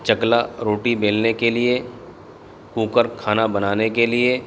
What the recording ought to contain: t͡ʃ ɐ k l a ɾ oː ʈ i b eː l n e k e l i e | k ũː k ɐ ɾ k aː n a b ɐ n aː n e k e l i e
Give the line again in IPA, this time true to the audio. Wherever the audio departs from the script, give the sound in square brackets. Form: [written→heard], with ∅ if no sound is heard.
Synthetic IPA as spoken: t͡ʃ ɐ k l a ɾ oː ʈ i b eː l n e k e l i e | k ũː k [ɐ→ə] ɾ [k→kʰ] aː n a b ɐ n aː n e k e l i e